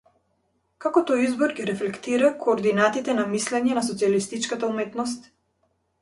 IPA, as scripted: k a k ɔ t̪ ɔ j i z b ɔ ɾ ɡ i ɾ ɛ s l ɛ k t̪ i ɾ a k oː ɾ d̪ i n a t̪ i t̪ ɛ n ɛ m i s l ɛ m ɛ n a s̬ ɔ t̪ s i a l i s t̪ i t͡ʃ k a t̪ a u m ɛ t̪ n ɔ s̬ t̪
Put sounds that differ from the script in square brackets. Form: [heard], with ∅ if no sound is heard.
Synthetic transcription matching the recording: k a k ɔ t̪ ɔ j i z b ɔ ɾ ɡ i ɾ ɛ [f] l ɛ k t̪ i ɾ a k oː ɾ d̪ i n a t̪ i t̪ ɛ n [a] m i s l ɛ [ɲ] ɛ n a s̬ ɔ t̪ s i a l i s t̪ i t͡ʃ k a t̪ a u m ɛ t̪ n ɔ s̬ t̪